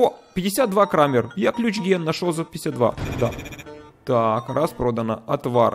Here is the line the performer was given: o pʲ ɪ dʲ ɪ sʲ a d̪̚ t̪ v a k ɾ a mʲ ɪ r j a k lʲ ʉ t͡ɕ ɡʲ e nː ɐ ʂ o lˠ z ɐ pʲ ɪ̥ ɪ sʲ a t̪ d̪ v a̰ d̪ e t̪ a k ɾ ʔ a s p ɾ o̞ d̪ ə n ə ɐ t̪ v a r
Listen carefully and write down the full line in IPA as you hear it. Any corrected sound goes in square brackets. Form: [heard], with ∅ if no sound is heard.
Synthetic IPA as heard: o pʲ ɪ dʲ ɪ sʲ a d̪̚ [d̪] v a k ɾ a mʲ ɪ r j a k lʲ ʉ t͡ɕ ɡʲ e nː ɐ ʂ o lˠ z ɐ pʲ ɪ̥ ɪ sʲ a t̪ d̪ v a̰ d̪ [a] t̪ a k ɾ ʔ a s p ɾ o̞ d̪ ə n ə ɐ t̪ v a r